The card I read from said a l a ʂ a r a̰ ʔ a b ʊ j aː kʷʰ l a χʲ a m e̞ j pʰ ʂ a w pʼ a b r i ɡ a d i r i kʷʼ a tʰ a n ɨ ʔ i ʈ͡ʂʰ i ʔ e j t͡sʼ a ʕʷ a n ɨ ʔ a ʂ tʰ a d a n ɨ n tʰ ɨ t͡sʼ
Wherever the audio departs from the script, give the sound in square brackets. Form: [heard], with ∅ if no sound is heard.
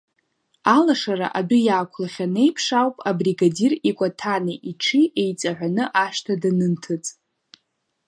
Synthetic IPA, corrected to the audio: a l a ʂ a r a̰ ʔ a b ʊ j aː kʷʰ l a χʲ a [n] e̞ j pʰ ʂ a w pʼ a b r i ɡ a d i r i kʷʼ a tʰ a n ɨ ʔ i ʈ͡ʂʰ i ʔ e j t͡sʼ a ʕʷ a n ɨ ʔ a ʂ tʰ a d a n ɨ n tʰ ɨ t͡sʼ